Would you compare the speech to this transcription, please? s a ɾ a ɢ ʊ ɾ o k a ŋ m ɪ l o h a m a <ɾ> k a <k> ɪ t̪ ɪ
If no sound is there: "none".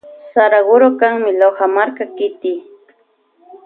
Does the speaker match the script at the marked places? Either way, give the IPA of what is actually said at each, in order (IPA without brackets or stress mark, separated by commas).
ɾ, k